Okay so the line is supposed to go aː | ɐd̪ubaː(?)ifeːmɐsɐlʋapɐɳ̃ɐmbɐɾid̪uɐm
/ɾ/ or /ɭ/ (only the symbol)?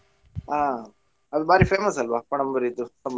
ɾ